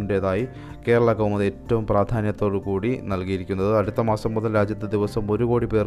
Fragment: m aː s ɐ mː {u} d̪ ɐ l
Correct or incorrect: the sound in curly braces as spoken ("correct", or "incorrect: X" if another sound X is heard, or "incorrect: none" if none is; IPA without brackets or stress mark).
correct